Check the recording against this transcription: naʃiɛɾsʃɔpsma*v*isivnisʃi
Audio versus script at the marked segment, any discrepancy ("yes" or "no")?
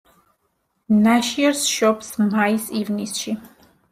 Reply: yes